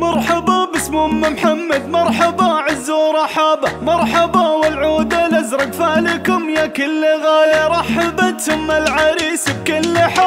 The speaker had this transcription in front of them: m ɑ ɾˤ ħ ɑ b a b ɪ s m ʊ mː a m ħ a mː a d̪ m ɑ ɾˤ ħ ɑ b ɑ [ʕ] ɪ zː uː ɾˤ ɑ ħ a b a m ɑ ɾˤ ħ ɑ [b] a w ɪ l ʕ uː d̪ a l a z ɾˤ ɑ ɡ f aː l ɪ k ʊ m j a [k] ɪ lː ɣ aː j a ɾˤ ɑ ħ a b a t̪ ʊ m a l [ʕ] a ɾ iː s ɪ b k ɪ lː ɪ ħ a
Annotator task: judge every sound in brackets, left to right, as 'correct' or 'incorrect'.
correct, correct, correct, correct

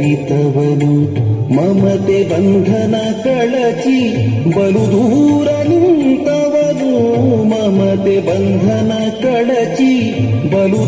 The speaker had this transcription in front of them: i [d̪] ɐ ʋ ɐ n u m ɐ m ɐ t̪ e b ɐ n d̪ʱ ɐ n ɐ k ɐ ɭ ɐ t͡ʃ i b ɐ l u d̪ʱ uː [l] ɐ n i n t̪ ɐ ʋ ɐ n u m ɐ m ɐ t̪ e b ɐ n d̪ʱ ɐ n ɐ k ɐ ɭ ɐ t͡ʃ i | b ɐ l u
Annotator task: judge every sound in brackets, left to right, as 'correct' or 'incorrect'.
incorrect, incorrect

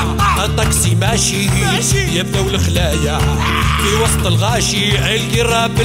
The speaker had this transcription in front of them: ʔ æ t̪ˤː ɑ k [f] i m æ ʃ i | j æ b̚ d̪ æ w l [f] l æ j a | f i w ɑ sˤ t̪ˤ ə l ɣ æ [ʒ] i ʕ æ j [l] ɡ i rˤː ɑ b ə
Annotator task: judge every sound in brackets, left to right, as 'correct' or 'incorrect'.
incorrect, incorrect, incorrect, correct

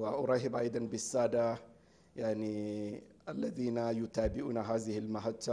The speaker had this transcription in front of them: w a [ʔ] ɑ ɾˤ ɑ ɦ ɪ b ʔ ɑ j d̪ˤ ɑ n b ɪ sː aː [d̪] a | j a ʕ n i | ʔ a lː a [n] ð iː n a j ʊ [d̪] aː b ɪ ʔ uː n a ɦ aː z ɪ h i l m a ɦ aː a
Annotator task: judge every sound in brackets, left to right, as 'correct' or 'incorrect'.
correct, correct, incorrect, incorrect

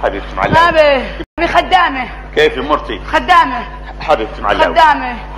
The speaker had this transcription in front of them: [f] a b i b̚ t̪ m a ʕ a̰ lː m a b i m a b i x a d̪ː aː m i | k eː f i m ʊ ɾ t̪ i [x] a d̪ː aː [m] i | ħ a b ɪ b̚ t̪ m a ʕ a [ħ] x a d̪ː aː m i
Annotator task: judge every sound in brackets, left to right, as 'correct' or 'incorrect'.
incorrect, correct, correct, incorrect

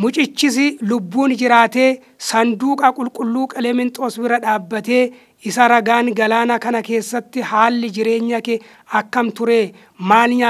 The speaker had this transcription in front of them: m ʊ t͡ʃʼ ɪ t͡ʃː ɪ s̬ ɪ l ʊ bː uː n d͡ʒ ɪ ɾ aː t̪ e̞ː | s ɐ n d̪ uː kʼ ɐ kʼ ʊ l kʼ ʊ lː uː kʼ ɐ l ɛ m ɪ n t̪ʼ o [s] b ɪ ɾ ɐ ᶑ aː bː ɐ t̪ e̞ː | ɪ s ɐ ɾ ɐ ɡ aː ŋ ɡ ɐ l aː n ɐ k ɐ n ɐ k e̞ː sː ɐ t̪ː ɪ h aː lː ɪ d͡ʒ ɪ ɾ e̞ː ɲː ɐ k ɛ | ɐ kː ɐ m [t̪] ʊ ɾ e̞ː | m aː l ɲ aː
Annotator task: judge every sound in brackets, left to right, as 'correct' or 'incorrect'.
correct, correct

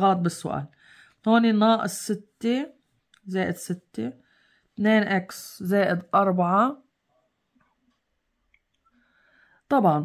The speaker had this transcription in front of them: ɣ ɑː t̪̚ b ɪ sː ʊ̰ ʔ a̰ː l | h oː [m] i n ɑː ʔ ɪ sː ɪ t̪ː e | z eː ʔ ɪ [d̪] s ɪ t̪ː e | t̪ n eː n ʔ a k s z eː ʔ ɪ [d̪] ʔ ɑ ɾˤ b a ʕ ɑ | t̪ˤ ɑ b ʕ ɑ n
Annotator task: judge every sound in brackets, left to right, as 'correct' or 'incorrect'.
incorrect, correct, correct

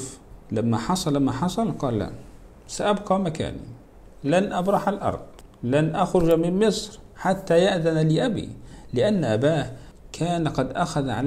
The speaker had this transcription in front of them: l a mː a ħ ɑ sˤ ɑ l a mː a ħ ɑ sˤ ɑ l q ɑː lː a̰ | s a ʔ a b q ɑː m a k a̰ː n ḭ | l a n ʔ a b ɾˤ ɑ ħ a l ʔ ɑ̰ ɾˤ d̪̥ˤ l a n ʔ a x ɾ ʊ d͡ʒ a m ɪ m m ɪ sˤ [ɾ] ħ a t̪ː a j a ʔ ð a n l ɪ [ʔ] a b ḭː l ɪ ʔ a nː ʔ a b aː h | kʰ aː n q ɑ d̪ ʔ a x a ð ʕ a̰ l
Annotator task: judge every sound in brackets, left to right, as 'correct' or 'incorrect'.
correct, correct

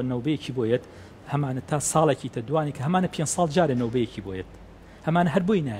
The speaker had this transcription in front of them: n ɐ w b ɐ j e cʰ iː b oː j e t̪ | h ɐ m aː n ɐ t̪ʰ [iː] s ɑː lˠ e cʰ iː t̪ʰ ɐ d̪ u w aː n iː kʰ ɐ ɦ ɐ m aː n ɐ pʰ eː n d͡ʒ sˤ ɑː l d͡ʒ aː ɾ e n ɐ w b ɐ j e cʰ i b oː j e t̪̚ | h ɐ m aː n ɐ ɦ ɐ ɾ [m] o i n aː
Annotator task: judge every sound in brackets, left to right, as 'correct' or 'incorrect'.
incorrect, incorrect

